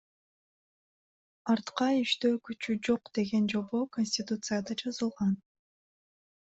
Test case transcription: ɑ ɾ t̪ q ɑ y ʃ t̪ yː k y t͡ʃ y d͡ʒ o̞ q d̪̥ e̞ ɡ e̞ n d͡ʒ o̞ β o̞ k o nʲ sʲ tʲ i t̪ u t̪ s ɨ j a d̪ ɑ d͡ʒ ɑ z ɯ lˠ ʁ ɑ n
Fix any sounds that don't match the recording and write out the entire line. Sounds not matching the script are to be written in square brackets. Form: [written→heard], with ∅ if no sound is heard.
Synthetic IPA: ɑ ɾ t̪ q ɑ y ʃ t̪ [yː→øː] k y t͡ʃ y d͡ʒ o̞ q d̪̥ e̞ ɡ e̞ n d͡ʒ o̞ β o̞ k o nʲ sʲ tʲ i t̪ u t̪ s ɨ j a d̪ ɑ d͡ʒ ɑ z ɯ lˠ ʁ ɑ n